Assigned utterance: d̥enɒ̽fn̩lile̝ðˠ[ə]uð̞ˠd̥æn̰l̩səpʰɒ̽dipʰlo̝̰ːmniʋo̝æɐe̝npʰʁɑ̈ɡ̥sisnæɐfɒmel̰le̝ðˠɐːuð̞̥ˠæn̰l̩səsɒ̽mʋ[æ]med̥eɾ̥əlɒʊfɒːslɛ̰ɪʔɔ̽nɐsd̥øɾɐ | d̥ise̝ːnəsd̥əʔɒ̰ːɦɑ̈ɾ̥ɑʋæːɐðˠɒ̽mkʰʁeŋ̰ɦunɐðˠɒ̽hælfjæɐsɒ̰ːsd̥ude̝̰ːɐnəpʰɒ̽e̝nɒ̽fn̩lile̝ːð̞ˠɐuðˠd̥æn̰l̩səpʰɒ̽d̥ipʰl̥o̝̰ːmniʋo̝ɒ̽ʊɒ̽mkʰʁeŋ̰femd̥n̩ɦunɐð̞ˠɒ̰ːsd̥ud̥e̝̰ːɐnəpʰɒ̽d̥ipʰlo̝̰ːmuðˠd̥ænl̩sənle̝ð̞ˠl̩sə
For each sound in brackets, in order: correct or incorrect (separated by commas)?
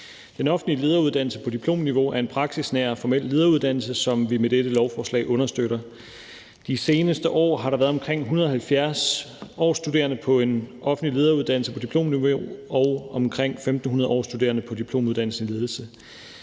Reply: incorrect, incorrect